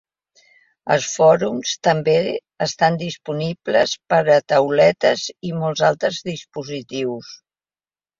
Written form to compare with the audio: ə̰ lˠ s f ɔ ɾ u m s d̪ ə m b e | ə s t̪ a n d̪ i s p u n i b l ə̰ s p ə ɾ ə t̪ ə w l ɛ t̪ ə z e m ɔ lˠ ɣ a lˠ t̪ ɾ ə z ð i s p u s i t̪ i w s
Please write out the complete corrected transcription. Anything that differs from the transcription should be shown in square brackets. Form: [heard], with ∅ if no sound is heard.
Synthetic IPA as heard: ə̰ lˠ s f ɔ ɾ u m s [t̪] ə m b e | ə s t̪ a n d̪ i s p u n i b l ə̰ s p ə ɾ ə t̪ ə w l ɛ t̪ ə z [i] m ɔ lˠ [z] a lˠ t̪ ɾ ə z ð i s p u [z] i t̪ i w s